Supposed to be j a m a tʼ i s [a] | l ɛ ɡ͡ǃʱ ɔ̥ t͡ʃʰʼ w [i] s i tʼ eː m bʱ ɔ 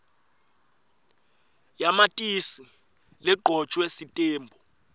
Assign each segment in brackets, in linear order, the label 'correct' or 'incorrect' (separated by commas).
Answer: incorrect, incorrect